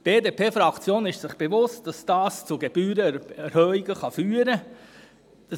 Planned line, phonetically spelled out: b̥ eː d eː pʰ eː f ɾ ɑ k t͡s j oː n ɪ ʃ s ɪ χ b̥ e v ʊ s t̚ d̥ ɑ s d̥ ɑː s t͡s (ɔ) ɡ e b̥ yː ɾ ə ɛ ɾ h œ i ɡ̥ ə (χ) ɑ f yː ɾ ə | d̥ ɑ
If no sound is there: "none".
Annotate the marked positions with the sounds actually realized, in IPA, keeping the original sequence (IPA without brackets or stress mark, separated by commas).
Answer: u, χ